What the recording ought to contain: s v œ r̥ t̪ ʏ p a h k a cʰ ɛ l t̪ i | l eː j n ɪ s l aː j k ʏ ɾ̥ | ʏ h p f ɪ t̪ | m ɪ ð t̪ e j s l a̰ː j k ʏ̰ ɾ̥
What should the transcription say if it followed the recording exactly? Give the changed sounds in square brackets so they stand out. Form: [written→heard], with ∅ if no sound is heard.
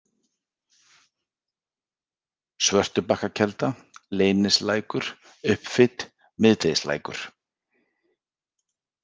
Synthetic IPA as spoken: s v œ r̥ t̪ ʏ p a h k a cʰ ɛ l t̪ [i→a] | l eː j n ɪ s l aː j k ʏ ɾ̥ | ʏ h p f ɪ t̪ | m ɪ ð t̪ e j s l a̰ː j k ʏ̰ ɾ̥